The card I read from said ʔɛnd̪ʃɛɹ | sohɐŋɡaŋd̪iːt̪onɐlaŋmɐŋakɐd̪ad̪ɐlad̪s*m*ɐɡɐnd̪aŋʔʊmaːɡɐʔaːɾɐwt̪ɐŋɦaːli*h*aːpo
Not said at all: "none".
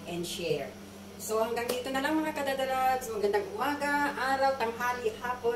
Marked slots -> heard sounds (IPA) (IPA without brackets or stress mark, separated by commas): m, h